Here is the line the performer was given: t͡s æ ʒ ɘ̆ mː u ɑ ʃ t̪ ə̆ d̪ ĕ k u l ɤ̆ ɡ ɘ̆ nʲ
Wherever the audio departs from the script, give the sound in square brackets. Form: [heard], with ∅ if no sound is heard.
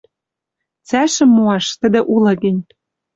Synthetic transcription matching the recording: t͡s æ [ʃ] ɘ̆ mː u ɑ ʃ t̪ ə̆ d̪ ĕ [ʔ] u l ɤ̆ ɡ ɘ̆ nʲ